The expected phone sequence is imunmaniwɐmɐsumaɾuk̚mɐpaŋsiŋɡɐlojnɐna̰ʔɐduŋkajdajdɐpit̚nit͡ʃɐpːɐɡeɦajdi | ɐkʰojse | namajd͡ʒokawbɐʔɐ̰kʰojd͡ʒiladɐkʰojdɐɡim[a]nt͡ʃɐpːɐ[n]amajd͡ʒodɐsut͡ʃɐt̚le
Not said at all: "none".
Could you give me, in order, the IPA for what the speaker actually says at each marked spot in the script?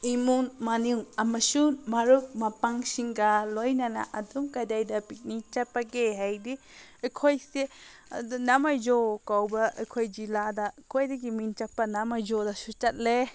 i, n

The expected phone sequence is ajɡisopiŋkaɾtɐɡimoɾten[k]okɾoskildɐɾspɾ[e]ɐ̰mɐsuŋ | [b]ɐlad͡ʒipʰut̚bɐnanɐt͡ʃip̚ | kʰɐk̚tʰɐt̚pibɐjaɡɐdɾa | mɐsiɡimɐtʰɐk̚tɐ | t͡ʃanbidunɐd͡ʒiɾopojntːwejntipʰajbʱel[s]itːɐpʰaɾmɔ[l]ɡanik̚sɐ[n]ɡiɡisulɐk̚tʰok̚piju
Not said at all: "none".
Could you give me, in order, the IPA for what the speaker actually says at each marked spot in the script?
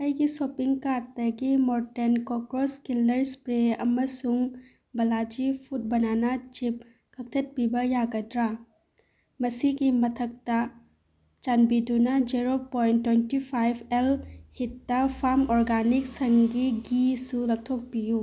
k, e, b, h, ɾ, ŋ

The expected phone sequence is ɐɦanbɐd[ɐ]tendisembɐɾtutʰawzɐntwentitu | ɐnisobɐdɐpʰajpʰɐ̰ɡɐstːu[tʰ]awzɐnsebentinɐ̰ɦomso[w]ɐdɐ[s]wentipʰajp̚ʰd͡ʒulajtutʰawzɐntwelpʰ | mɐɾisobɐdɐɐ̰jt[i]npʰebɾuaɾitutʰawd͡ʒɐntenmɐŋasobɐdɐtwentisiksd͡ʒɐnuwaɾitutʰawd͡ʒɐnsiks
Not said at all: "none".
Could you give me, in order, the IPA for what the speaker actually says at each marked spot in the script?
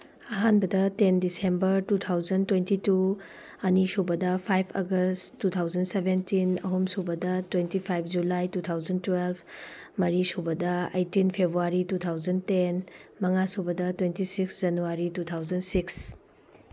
ɐ, tʰ, b, t, i

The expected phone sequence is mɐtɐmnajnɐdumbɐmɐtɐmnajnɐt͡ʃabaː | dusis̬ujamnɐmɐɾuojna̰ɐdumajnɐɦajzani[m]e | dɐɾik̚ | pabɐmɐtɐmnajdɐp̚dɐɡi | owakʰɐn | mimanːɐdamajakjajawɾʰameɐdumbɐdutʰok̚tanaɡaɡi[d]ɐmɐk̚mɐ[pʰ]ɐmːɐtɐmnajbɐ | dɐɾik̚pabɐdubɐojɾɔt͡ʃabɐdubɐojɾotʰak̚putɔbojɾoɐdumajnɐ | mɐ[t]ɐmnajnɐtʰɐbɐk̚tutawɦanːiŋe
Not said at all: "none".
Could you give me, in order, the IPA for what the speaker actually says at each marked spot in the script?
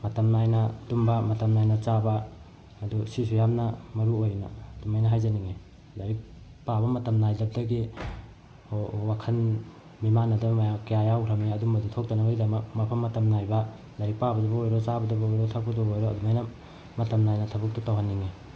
ŋ, d, pʰ, t

